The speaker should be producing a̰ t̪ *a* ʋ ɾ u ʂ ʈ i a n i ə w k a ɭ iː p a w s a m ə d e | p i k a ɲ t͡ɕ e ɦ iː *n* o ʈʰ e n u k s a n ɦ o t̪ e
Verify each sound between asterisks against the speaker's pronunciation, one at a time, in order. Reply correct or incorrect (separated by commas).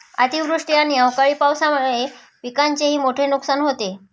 incorrect, incorrect